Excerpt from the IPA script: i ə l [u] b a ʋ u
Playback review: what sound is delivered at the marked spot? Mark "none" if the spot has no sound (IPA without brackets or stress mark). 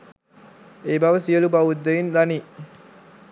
u